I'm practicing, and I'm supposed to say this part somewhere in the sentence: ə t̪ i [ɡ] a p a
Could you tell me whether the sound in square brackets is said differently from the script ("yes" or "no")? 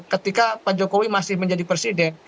yes